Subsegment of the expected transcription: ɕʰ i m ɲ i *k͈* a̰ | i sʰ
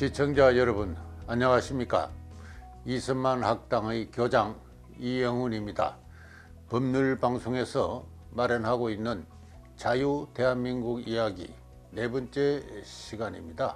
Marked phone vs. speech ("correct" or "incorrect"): correct